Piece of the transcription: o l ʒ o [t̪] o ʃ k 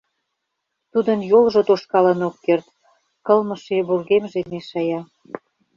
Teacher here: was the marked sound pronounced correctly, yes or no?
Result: yes